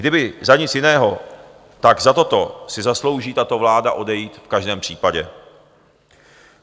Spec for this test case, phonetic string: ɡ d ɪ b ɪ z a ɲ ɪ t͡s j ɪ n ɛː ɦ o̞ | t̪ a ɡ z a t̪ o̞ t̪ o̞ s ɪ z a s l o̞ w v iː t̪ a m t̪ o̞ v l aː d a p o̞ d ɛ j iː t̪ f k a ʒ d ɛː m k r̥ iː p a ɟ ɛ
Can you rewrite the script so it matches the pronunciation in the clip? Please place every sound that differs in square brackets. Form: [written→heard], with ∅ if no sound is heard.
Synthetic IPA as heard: ɡ d ɪ b ɪ z a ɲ ɪ t͡s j ɪ n ɛː ɦ o̞ | t̪ a ɡ z a t̪ o̞ t̪ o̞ s ɪ z a s l o̞ w [v→ʒ] iː t̪ a [m→∅] t̪ o̞ v l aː d a [p→ʔ] o̞ d ɛ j iː t̪ f k a ʒ d ɛː m [k→p] r̥ iː p a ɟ ɛ